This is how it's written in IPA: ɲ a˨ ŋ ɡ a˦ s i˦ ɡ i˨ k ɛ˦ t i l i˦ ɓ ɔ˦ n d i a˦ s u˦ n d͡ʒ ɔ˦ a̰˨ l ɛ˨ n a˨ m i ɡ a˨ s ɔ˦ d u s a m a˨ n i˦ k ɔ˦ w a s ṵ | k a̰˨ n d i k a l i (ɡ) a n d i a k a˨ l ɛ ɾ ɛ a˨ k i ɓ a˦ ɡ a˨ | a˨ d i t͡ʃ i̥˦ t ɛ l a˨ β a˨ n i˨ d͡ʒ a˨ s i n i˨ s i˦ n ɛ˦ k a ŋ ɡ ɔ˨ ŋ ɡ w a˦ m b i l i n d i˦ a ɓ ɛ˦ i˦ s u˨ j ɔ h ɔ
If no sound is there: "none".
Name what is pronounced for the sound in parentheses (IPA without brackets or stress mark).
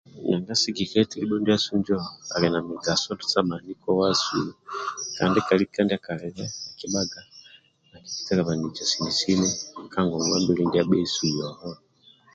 k